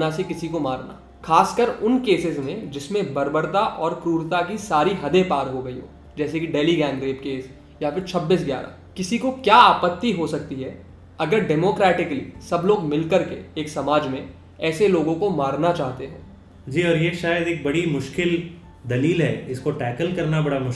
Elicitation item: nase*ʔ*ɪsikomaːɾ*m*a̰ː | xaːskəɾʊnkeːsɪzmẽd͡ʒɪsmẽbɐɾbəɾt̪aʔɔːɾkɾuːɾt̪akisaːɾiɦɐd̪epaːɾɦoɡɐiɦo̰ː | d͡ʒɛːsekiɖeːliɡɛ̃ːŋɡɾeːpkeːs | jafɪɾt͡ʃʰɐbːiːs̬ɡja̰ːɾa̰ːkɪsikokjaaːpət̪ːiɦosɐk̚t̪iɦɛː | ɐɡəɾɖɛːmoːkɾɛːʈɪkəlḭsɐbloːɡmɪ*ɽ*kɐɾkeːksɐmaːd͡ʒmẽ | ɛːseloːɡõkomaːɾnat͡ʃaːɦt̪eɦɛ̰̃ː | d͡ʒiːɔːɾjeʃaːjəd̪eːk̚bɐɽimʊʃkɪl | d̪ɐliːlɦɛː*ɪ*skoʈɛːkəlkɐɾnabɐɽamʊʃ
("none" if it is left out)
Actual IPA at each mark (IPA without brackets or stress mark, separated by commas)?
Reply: k, n, l, ɪ